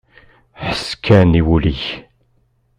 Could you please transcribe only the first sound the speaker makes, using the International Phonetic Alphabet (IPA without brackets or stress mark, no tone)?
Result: ħ